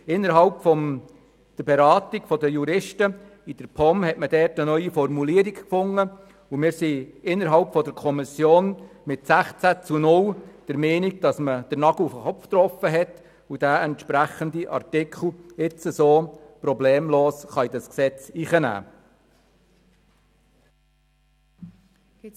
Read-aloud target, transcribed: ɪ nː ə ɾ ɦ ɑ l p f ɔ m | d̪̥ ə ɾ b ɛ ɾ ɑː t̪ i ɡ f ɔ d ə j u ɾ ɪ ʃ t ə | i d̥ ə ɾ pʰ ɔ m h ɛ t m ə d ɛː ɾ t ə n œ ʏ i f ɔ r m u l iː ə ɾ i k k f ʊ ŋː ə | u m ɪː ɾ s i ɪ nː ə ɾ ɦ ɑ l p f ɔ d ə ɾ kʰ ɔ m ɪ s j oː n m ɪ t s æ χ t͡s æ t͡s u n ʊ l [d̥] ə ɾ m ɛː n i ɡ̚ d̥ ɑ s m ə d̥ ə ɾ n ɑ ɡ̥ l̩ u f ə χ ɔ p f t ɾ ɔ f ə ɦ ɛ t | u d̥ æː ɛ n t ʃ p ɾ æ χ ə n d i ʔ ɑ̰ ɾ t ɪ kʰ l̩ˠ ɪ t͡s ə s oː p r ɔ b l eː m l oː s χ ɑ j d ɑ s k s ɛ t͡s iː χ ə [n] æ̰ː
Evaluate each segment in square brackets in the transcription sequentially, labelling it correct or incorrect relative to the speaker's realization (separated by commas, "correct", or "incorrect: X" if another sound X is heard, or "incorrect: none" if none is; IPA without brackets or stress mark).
correct, correct